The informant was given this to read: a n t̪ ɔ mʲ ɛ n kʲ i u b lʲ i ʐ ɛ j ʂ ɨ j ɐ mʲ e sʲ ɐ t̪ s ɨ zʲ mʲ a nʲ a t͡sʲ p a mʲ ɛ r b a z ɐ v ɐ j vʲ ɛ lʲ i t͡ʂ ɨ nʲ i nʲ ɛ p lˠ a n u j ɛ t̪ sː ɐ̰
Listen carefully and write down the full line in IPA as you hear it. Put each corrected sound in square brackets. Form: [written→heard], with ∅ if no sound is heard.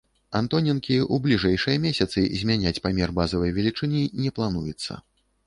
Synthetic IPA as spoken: a n t̪ ɔ [mʲ→nʲ] ɛ n kʲ i u b lʲ i ʐ ɛ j ʂ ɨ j ɐ mʲ e sʲ ɐ t̪ s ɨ zʲ mʲ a nʲ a t͡sʲ p a mʲ ɛ r b a z ɐ v ɐ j vʲ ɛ lʲ i t͡ʂ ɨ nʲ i nʲ ɛ p lˠ a n u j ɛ t̪ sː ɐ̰